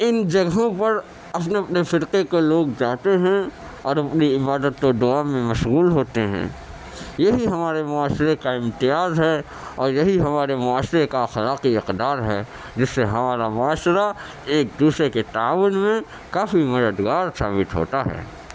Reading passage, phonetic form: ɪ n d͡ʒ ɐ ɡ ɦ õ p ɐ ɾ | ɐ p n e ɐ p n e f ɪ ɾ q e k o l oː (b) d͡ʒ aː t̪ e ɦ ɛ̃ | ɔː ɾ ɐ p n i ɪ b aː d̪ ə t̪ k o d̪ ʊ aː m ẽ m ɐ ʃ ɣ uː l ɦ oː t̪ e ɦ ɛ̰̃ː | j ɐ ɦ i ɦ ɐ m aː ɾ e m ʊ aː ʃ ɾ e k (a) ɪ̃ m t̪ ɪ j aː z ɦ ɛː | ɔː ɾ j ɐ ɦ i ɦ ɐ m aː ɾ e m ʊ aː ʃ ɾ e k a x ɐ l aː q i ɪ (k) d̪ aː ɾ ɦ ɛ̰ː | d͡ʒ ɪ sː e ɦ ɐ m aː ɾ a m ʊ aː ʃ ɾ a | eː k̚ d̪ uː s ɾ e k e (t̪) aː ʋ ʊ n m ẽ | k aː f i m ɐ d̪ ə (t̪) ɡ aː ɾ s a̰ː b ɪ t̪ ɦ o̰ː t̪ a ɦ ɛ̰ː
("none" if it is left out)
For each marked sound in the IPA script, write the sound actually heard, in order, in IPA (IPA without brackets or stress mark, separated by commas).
ɡ, a, q, t̪, d̪